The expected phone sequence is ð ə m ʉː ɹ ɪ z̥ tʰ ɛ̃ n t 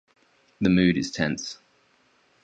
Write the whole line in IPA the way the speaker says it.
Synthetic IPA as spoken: ð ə m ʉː ɾ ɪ z̥ tʰ ɛ̃ n s